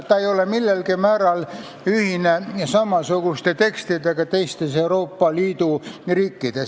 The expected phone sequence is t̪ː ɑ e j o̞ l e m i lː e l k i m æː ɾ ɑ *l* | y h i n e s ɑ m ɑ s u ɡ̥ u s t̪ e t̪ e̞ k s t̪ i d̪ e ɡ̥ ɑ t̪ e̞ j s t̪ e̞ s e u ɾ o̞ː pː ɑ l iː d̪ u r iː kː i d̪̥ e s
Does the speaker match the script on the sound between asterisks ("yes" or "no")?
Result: yes